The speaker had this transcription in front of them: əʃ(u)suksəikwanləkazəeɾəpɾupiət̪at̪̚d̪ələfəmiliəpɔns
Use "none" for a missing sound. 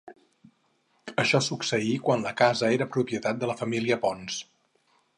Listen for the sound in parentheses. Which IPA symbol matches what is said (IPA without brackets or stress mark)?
ɔ